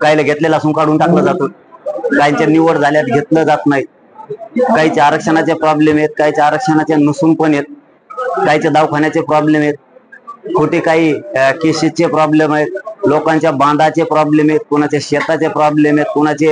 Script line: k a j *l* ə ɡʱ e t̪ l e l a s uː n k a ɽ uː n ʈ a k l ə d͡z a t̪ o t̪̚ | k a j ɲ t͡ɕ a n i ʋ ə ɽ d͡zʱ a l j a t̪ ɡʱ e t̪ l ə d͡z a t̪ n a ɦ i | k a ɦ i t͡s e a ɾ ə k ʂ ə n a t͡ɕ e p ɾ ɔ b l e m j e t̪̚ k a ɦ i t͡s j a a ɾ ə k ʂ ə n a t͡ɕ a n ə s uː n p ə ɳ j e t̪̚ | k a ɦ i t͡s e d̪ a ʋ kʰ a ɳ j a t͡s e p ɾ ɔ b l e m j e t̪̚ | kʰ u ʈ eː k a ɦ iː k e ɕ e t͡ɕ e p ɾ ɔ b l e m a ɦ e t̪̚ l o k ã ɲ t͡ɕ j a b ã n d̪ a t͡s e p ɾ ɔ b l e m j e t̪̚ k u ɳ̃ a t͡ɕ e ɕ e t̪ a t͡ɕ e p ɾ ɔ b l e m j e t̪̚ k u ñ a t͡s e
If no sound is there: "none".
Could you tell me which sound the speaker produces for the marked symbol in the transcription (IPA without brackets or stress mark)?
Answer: l